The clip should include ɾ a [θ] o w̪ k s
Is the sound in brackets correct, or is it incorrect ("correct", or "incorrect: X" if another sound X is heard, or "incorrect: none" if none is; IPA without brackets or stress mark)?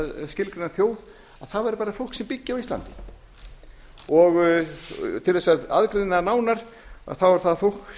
incorrect: f